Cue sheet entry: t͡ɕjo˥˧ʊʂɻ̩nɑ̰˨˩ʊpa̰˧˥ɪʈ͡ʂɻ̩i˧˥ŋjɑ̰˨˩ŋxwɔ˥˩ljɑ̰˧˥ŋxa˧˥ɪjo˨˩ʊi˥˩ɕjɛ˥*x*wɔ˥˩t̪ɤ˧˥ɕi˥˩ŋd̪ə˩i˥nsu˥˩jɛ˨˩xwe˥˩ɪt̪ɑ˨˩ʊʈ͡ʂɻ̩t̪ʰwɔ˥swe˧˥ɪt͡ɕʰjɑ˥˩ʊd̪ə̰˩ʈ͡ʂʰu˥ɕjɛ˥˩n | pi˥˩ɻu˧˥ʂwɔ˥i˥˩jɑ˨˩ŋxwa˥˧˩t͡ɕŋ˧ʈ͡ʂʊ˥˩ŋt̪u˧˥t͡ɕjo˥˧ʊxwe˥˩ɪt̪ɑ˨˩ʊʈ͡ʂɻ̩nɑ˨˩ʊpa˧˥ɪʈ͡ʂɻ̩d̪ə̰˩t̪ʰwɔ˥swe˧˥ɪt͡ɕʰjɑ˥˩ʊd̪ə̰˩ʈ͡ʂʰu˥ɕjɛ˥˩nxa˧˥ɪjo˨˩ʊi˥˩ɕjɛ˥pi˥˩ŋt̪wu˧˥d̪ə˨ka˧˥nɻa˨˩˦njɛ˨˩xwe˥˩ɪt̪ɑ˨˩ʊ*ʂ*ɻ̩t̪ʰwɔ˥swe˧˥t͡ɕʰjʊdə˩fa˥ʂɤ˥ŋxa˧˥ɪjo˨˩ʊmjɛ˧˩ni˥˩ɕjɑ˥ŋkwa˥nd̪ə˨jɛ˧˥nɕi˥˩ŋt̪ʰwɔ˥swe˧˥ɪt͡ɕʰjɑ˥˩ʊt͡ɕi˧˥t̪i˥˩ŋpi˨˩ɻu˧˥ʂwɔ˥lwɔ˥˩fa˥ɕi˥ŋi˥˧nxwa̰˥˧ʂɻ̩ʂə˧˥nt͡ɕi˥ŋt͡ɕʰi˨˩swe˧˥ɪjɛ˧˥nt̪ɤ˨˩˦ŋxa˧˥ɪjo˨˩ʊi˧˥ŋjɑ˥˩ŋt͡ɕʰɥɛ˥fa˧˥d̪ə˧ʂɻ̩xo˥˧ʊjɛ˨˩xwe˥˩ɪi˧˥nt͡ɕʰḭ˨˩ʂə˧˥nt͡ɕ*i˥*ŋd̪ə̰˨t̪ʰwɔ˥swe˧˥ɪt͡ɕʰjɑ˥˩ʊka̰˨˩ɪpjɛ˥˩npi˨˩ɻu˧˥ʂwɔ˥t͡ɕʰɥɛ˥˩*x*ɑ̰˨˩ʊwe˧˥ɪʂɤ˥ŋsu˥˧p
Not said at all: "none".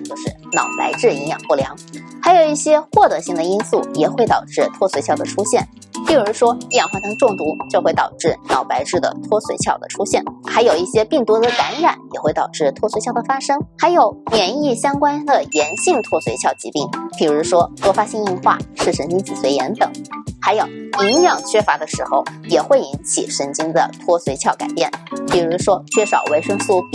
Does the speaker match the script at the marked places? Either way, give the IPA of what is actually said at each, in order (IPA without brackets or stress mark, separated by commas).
x, ʈ͡ʂ, i˥, ʂ